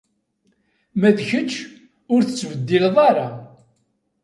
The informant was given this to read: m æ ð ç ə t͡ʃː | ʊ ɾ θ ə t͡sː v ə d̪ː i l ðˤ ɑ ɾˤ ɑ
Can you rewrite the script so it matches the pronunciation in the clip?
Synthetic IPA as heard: m æ ð ç ə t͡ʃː | ʊ ɾ θ ə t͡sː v ə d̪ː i l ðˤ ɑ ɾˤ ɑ